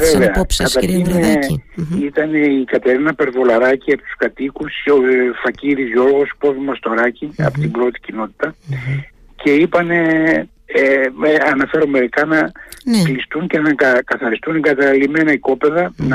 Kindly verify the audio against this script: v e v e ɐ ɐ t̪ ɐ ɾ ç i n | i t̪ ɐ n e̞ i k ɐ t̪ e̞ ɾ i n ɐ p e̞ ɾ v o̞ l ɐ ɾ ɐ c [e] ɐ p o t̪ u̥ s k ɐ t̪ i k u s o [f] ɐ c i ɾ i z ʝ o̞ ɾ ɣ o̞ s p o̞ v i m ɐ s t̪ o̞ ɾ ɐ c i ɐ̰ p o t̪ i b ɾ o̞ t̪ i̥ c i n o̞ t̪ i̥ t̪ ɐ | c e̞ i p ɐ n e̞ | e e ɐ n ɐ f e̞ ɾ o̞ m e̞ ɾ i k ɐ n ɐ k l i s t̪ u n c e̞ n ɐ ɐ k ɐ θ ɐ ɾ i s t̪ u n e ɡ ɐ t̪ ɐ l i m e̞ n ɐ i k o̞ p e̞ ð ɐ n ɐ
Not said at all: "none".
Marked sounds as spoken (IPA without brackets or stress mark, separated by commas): i, f